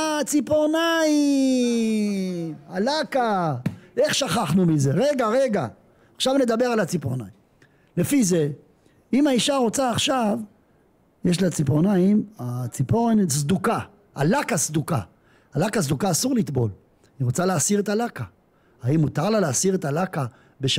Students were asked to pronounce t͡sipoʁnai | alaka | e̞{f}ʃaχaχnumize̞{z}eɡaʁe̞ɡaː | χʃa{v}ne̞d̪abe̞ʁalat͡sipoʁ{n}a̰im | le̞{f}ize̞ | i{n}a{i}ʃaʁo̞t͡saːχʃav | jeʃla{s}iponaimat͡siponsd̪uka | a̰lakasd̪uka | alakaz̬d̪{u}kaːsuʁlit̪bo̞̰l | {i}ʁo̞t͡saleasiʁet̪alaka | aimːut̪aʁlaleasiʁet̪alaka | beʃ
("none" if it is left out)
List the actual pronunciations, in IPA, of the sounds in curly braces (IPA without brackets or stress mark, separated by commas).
χ, ʁ, v, n, f, m, i, t͡s, u, i